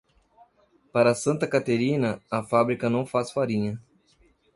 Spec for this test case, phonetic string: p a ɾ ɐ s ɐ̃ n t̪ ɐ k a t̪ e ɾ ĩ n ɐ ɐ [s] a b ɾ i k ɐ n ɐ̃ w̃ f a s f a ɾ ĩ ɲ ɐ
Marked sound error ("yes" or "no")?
yes